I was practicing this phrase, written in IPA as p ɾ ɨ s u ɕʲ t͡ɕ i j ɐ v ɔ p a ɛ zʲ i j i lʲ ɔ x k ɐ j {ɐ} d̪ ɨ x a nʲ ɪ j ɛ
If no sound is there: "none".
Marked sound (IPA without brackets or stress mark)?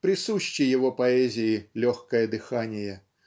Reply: ɐ